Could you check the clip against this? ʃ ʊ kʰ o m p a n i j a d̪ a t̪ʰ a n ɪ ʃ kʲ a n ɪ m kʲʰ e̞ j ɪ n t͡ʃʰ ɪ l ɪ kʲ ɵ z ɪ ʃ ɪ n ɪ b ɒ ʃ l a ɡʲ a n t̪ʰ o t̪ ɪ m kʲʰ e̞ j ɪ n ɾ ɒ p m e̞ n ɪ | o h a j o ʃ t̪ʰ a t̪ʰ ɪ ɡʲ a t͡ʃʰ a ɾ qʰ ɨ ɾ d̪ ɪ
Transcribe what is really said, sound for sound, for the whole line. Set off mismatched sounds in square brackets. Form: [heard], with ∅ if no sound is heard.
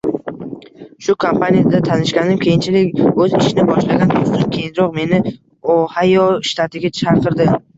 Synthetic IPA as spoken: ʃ ʊ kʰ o m p a n i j a d̪ a t̪ʰ a n ɪ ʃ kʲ a n ɪ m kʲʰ e̞ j ɪ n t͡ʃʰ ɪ l ɪ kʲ ɵ z ɪ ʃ ɪ n ɪ b ɒ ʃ l a ɡʲ a n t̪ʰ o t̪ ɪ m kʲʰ e̞ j ɪ n ɾ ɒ [q] m e̞ n ɪ | o h a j o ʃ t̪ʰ a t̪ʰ ɪ ɡʲ a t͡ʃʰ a ɾ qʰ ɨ ɾ d̪ ɪ